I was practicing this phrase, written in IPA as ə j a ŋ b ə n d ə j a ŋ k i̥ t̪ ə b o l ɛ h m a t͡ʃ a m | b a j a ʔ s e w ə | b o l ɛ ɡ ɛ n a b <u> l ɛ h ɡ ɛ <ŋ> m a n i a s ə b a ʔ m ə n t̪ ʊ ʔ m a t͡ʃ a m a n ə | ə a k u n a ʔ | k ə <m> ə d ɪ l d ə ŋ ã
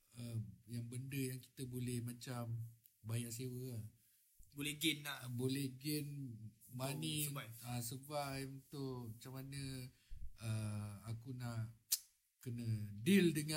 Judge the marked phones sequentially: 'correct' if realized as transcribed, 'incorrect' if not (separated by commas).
incorrect, incorrect, incorrect